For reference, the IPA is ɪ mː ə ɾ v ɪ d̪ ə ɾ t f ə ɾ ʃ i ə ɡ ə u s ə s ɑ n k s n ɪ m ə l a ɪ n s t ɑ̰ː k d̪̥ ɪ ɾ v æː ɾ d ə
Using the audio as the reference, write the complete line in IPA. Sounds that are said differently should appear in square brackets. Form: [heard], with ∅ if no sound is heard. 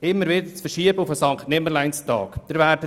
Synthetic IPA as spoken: ɪ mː ə ɾ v ɪ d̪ ə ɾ [t͡s] f ə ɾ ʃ i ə [b] ə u [f] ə s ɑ [ŋ] k [t] n ɪ m ə l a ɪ n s t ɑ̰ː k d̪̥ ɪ ɾ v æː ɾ d ə